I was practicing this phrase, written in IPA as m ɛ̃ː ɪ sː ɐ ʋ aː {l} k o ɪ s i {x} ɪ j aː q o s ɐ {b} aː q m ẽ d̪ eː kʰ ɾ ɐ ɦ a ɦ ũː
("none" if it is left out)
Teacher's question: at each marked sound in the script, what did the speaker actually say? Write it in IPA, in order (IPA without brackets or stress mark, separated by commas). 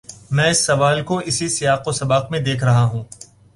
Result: l, s, b